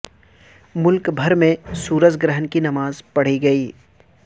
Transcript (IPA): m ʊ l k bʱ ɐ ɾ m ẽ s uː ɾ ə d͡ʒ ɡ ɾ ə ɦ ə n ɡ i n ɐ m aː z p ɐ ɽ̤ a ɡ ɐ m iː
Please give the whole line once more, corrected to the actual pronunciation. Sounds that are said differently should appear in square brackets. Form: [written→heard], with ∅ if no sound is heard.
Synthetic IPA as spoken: m ʊ l k bʱ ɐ ɾ m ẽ s uː ɾ ə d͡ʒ ɡ ɾ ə ɦ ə n [ɡ→k] i n ɐ m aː z p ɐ ɽ̤ [a→i] ɡ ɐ [m→∅] iː